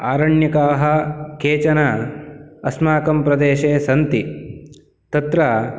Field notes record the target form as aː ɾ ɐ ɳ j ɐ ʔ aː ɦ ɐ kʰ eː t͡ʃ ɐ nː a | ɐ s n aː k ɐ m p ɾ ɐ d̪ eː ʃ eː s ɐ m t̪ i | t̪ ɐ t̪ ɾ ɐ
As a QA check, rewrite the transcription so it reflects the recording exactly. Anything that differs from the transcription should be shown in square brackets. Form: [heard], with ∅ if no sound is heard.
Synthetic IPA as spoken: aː ɾ ɐ ɳ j ɐ [k] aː ɦ ɐ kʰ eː t͡ʃ ɐ [n] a | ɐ s [m] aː k ɐ m p ɾ ɐ d̪ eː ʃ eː s ɐ [n] t̪ i | t̪ ɐ t̪ ɾ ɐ

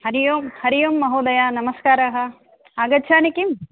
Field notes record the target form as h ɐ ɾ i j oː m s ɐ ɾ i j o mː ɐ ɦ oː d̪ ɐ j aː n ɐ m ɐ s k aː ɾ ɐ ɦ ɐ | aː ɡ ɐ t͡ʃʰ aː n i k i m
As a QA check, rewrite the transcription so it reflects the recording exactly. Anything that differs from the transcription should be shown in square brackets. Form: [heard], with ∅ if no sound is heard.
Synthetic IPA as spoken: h ɐ ɾ i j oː m [h] ɐ ɾ i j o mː ɐ ɦ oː d̪ ɐ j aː n ɐ m ɐ s k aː ɾ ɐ ɦ ɐ | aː ɡ ɐ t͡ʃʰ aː n i k i m

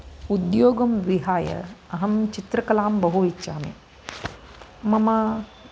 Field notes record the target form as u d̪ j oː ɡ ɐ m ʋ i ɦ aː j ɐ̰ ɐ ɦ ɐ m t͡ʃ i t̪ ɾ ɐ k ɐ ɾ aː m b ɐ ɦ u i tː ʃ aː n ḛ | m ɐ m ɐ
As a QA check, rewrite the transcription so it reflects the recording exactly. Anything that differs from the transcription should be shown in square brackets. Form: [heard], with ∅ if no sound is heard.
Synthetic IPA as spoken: u d̪ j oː ɡ ɐ m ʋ i ɦ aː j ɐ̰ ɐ ɦ ɐ m t͡ʃ i t̪ ɾ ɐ k ɐ [l] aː m b ɐ ɦ u i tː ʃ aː [m] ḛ | m ɐ m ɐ

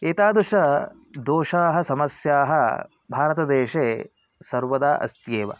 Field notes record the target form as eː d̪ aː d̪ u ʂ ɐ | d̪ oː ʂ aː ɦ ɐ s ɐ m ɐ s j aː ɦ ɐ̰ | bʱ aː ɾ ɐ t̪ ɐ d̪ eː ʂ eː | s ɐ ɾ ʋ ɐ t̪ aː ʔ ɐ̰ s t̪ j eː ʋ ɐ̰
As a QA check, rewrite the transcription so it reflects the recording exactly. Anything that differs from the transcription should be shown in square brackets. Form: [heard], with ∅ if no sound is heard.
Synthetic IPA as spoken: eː [t̪] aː d̪ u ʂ ɐ | d̪ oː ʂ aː ɦ ɐ s ɐ m ɐ s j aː ɦ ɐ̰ | bʱ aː ɾ ɐ t̪ ɐ d̪ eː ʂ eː | s ɐ ɾ ʋ ɐ [d̪] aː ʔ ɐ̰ s t̪ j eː ʋ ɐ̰

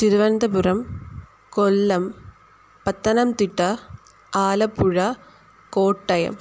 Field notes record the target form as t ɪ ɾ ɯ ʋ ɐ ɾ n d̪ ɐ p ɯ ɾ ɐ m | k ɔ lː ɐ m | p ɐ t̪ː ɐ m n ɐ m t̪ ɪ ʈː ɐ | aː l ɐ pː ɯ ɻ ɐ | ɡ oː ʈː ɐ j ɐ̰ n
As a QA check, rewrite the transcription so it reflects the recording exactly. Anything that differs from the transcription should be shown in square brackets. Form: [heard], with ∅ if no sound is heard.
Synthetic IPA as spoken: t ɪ ɾ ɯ ʋ ɐ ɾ n d̪ ɐ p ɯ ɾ ɐ m | k ɔ lː ɐ m | p ɐ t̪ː ɐ [∅] n ɐ m t̪ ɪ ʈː ɐ | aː l ɐ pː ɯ ɻ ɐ | [k] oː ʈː ɐ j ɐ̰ [m]

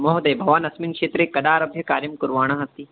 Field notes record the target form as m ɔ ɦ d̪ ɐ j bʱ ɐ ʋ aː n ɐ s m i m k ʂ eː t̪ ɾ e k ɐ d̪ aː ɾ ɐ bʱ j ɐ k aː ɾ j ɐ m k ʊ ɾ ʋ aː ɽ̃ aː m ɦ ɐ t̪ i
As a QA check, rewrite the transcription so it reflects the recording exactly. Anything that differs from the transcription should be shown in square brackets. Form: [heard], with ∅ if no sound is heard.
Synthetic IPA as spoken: m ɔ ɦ d̪ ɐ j bʱ ɐ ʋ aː n ɐ s m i [ŋ] k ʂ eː t̪ ɾ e k ɐ d̪ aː ɾ ɐ bʱ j ɐ k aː ɾ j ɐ m k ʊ ɾ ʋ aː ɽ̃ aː [∅] ɦ ɐ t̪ i

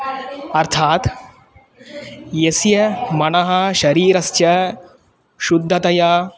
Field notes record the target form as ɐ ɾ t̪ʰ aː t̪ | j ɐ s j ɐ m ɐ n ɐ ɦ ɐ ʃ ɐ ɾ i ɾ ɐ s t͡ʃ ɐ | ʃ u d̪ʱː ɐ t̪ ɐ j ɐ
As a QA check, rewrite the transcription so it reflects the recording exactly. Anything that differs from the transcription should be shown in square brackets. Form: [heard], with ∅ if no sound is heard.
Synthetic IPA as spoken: ɐ ɾ t̪ʰ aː t̪ | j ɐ s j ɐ m ɐ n ɐ ɦ ɐ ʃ ɐ ɾ [iː] ɾ ɐ s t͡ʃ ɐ | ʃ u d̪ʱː ɐ t̪ ɐ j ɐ

